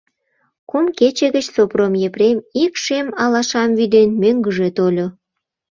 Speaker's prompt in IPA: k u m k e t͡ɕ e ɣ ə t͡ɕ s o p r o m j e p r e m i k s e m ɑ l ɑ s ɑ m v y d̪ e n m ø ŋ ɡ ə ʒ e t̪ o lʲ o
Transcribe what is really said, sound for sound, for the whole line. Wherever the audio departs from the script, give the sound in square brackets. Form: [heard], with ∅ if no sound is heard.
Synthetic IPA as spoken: k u m k e t͡ɕ e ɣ ə t͡ɕ s o p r o m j e p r e m i k [ʃ] e m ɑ l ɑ [ʃ] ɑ m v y d̪ e n m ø ŋ ɡ ə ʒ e t̪ o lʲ o